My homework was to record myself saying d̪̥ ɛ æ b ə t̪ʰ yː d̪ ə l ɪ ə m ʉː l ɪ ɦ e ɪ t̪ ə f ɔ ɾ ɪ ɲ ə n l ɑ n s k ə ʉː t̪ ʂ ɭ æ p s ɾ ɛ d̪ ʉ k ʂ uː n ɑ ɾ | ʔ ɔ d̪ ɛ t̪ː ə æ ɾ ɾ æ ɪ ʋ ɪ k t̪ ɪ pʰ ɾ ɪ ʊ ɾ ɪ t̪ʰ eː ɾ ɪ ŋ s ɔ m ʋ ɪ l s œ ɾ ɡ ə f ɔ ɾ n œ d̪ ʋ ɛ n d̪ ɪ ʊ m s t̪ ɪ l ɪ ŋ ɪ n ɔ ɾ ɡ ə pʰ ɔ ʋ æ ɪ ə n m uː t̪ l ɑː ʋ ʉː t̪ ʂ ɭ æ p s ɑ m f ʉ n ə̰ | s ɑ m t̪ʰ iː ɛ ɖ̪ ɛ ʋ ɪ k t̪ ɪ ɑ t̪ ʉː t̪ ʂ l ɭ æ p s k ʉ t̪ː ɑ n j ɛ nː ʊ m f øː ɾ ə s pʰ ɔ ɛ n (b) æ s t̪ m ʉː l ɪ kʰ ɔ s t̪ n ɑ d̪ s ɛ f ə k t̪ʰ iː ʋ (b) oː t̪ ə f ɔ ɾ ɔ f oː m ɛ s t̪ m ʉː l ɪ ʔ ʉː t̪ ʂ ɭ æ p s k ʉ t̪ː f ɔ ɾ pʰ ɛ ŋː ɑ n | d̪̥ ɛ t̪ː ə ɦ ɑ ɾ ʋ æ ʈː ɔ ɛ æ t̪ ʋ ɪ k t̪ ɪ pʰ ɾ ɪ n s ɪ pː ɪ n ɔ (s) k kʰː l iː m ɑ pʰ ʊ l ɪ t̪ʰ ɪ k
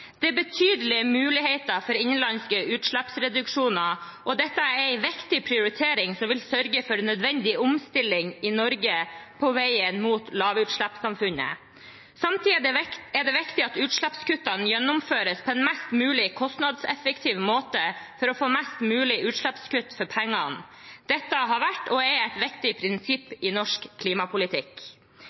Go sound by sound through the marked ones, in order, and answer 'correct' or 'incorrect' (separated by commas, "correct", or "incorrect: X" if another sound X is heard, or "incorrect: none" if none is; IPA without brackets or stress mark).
incorrect: m, incorrect: m, incorrect: ʂ